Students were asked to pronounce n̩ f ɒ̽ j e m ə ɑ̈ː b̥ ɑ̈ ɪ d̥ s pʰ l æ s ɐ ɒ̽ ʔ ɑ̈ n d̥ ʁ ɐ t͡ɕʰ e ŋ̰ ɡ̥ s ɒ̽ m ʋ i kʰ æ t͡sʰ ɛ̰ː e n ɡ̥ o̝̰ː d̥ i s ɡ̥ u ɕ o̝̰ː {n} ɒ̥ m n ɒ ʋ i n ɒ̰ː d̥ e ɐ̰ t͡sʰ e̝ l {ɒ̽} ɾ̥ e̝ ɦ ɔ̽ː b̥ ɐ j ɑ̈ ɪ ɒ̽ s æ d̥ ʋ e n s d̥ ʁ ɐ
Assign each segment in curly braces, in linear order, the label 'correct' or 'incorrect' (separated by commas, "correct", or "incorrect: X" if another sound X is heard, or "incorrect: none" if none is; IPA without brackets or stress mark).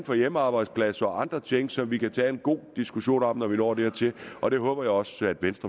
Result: correct, correct